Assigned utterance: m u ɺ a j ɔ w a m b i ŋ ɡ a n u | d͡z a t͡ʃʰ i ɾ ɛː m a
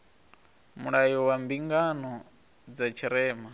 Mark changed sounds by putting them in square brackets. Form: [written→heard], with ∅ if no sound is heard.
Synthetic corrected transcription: m u ɺ a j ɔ w a m b i ŋ ɡ a n [u→ɔ] | d͡z a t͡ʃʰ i ɾ ɛː m a